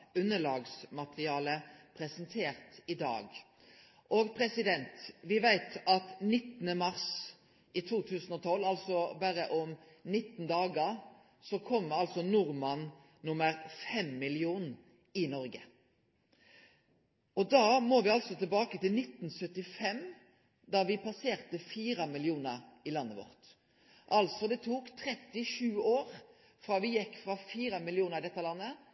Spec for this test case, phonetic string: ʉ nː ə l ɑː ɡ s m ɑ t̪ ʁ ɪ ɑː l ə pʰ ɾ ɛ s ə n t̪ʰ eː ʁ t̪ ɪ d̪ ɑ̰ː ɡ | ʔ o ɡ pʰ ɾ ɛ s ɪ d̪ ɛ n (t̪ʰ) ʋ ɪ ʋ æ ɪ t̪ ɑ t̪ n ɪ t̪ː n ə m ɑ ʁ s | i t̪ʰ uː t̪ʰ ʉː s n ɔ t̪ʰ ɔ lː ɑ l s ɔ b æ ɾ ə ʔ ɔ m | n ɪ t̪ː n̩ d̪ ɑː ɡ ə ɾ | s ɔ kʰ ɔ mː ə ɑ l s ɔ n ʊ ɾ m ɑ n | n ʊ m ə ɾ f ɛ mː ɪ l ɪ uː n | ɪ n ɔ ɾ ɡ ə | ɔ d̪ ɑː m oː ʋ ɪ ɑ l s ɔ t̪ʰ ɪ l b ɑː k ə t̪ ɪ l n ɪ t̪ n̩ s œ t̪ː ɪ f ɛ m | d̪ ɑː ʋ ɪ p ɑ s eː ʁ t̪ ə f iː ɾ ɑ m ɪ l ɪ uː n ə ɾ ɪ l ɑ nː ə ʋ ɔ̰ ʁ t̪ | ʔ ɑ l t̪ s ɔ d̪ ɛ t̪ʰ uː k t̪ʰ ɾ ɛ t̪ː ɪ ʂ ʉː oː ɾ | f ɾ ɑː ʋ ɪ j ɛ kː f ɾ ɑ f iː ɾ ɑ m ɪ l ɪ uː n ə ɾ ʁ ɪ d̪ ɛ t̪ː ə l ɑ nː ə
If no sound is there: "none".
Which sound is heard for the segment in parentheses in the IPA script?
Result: t̪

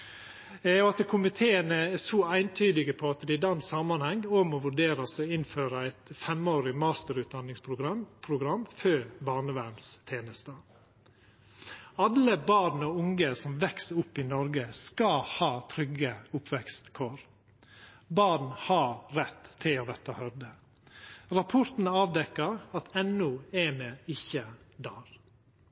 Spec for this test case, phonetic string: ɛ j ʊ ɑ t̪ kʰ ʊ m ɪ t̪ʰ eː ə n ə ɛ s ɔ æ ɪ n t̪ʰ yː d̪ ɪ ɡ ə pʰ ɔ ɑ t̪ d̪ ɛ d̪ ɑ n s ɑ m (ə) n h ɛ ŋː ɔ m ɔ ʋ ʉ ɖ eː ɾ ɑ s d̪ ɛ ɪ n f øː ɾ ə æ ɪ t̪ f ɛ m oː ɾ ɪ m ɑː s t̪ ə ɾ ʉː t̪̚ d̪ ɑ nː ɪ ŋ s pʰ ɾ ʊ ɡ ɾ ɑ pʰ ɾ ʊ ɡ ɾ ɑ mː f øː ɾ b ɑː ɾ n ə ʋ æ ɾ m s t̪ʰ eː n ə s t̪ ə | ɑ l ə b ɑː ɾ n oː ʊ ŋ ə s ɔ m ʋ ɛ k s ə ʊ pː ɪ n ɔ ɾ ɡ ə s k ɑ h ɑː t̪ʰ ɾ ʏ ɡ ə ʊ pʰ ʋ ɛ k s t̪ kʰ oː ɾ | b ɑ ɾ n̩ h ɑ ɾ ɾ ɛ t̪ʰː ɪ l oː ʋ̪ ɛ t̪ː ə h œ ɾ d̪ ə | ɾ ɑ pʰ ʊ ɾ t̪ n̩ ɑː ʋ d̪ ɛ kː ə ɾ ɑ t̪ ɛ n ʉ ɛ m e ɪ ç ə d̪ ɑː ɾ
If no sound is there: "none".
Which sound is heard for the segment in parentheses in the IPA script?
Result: ɑ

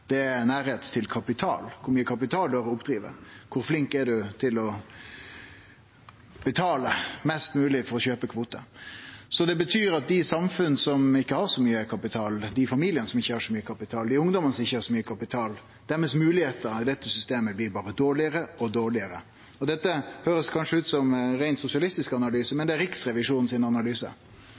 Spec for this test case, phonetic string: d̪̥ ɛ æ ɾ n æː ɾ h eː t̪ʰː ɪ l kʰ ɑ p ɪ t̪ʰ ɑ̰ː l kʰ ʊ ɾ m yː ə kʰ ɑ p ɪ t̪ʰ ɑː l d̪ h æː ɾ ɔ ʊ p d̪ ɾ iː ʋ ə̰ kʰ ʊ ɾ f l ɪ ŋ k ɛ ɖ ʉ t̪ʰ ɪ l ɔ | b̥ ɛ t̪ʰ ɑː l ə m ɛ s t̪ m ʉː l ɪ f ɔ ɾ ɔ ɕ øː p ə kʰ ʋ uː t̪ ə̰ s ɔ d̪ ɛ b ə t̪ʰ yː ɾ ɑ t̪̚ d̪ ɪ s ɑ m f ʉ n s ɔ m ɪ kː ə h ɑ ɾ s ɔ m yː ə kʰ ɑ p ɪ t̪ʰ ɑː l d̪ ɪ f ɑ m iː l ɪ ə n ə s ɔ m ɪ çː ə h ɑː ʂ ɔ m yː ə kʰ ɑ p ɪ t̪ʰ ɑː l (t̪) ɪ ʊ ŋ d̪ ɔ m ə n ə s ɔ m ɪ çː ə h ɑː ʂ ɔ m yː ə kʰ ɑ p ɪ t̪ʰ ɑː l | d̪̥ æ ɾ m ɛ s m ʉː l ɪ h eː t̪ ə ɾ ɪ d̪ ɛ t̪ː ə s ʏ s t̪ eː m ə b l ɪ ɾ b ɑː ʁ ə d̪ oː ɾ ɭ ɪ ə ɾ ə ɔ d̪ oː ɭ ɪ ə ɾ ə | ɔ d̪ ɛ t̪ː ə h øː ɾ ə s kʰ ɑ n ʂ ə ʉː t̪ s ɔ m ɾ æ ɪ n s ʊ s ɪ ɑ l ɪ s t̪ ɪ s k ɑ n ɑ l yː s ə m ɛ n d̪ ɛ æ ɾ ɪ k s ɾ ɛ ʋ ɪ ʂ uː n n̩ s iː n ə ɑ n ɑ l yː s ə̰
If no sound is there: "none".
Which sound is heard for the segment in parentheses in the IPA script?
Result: d̪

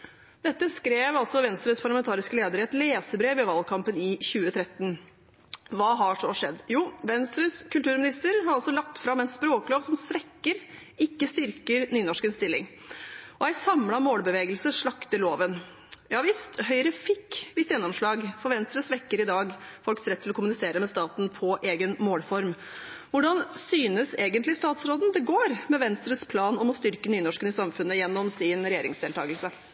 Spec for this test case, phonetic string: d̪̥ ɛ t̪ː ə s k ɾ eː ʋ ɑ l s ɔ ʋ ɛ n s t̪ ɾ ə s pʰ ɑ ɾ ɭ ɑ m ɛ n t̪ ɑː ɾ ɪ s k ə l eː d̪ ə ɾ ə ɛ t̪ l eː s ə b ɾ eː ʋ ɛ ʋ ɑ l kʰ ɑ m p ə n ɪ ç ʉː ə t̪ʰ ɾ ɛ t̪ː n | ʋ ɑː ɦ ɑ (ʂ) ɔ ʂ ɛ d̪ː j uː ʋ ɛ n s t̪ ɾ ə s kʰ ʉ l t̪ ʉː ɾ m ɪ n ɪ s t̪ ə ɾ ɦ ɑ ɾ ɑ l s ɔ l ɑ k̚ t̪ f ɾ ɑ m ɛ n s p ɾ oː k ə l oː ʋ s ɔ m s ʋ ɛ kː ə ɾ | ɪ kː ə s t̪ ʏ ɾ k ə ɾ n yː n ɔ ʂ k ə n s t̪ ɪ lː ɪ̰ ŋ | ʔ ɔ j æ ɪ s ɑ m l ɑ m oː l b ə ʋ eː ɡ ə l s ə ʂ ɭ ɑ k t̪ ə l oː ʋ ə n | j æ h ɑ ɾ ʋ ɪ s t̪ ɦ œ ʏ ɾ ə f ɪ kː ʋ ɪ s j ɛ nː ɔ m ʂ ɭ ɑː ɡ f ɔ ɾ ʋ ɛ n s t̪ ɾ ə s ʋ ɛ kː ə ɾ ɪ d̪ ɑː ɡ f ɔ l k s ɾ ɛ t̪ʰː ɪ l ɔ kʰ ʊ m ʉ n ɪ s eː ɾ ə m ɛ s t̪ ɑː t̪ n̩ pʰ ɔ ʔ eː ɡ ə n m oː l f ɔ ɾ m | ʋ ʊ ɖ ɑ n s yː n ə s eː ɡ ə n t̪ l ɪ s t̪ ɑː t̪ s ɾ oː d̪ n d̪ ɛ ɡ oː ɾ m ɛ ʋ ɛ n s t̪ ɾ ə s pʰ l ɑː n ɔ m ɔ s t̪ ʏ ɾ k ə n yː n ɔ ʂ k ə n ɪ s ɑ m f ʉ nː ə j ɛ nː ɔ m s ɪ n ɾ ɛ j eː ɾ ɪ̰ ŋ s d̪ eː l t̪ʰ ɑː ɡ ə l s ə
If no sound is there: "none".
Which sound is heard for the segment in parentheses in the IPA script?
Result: ʂ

